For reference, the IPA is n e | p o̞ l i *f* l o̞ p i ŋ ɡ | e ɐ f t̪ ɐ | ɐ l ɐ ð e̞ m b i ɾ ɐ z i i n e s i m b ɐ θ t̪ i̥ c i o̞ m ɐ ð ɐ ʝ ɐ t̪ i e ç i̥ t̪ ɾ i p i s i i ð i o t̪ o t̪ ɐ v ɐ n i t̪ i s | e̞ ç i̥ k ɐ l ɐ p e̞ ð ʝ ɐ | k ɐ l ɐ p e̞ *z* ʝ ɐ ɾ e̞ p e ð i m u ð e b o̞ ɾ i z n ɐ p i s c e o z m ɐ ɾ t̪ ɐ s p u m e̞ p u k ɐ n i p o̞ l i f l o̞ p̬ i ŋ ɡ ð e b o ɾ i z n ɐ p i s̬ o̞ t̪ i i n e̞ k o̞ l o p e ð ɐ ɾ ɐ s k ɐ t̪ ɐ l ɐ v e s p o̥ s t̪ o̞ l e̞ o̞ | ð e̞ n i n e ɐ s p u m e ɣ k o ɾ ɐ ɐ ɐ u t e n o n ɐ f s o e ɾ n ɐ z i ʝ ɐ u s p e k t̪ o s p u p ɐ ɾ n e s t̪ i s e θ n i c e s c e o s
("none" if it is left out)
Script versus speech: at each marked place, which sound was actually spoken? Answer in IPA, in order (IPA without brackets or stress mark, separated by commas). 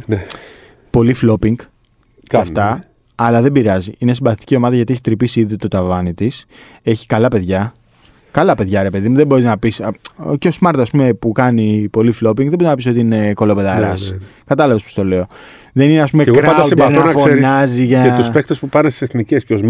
f, ð